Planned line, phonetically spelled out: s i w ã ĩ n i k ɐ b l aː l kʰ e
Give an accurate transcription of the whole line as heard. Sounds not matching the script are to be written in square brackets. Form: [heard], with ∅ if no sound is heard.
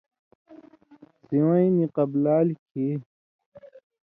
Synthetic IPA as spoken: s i w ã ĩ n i [q] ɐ b l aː l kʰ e